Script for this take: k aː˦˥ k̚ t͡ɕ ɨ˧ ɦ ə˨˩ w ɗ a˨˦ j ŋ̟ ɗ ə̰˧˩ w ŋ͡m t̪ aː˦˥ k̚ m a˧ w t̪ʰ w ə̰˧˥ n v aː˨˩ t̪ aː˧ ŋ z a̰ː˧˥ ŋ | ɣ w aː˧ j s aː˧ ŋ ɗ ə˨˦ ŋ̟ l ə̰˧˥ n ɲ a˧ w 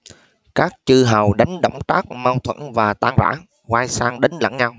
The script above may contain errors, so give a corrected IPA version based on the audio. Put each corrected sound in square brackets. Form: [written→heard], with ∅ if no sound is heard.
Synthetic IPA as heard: k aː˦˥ k̚ t͡ɕ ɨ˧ ɦ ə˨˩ w ɗ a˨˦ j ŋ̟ ɗ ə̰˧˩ w ŋ͡m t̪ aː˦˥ k̚ m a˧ w t̪ʰ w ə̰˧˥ n v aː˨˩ t̪ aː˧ ŋ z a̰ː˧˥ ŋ | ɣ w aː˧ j s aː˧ ŋ ɗ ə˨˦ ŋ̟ l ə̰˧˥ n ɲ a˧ w